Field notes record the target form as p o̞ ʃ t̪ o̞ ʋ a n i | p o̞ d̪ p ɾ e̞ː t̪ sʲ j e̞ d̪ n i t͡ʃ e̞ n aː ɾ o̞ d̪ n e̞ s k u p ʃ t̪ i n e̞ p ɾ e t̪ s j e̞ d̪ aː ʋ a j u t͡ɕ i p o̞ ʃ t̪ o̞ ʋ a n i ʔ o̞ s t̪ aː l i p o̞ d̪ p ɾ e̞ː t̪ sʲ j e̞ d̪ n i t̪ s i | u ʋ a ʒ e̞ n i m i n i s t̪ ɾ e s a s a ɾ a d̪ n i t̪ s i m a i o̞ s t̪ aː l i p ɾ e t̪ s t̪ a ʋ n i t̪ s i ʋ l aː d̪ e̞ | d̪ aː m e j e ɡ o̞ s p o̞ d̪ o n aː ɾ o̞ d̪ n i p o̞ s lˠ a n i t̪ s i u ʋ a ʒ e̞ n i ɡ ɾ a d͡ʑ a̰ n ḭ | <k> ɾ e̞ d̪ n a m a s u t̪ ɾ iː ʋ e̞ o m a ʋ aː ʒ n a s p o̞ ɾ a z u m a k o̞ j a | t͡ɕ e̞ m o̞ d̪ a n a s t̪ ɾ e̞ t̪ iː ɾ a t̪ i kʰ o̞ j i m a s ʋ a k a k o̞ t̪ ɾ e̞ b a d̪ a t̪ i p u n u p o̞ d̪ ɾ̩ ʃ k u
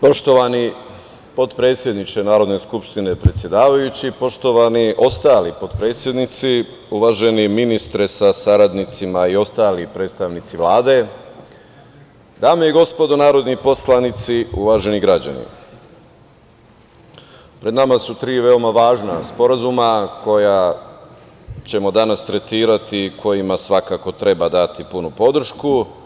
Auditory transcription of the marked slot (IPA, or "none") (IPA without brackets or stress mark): p